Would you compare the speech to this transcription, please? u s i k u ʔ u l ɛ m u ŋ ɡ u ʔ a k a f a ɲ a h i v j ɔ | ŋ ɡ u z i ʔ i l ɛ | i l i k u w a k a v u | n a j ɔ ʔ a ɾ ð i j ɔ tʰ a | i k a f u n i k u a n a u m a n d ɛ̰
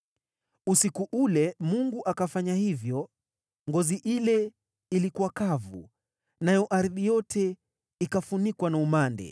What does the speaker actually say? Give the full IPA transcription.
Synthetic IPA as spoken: u s i k u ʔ u l ɛ m u ŋ ɡ u ʔ a k a f a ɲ a h i v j ɔ | ŋ ɡ ɔ z i ʔ i l ɛ | i l i k u w a k a v u | n a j ɔ ʔ a ɾ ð i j ɔ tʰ ɛ | i k a f u n i k w a n a u m a n d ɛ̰